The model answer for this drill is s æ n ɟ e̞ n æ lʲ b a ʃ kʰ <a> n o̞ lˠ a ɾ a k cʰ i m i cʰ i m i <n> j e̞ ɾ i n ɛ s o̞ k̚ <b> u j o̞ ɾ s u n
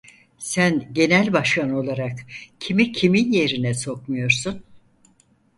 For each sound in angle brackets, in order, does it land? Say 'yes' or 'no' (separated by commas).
yes, yes, no